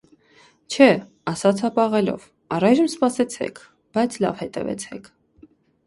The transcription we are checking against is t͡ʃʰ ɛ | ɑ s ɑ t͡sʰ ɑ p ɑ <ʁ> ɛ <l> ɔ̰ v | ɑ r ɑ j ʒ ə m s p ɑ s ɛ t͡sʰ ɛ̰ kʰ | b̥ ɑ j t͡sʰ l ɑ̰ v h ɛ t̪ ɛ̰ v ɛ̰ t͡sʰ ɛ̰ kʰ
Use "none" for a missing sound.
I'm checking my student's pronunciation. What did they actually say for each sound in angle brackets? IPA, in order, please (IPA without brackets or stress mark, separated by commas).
ʁ, l